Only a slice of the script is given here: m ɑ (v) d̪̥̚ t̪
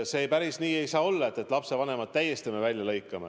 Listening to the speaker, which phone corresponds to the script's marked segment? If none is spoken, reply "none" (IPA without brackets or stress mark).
none